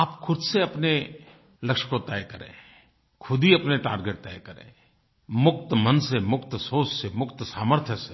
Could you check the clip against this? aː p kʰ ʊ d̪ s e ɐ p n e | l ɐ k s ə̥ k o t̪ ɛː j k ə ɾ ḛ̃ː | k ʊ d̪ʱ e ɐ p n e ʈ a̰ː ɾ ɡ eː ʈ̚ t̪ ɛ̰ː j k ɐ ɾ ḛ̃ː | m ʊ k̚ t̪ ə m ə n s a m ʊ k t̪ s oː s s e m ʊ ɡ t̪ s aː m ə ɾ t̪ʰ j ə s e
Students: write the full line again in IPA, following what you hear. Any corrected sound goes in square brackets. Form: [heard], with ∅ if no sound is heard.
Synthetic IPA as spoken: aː p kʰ ʊ d̪ s e ɐ p n e | l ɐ k [ʃ] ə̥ k o t̪ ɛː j k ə ɾ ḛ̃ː | [kʰ] ʊ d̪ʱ [i] ɐ p n e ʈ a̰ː ɾ ɡ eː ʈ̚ t̪ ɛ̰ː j k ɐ ɾ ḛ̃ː | m ʊ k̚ t̪ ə m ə n s [e] m ʊ k t̪ s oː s s e m ʊ [k] t̪ s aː m ə ɾ t̪ʰ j ə s e